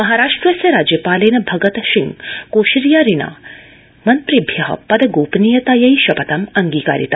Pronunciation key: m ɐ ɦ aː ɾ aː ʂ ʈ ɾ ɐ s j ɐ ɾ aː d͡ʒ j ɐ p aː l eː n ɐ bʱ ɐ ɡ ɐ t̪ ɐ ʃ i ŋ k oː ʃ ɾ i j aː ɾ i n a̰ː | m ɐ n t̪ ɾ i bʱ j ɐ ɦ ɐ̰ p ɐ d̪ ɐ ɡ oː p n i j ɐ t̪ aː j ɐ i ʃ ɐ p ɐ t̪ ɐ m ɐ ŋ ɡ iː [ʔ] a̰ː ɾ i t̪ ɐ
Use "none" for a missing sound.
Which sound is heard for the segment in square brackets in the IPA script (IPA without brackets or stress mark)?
k